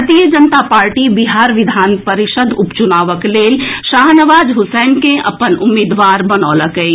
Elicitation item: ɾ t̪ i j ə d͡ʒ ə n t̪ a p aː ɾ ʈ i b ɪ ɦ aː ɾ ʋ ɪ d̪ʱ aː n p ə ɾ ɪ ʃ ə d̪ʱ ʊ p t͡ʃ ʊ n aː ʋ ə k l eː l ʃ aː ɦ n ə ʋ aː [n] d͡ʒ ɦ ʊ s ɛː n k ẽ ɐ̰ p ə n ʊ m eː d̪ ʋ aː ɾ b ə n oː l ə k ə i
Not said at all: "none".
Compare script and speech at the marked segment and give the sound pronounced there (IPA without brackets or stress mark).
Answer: none